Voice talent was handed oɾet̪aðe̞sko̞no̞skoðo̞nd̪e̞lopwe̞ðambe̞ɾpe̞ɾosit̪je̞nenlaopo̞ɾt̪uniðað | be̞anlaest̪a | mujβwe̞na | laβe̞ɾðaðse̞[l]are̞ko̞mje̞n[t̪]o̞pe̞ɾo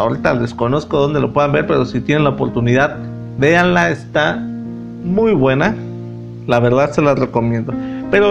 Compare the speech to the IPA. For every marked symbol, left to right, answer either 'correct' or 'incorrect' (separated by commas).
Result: correct, incorrect